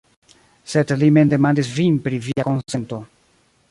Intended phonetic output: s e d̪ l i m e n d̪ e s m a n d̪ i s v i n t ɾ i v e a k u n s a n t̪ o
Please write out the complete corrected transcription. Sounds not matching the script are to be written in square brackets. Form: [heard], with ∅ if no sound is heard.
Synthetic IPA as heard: s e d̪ l i m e n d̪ e [∅] m a n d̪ i s v i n [p] ɾ i v [i] a k [o] n s [e] n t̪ o